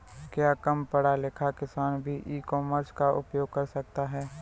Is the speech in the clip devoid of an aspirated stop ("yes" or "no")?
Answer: no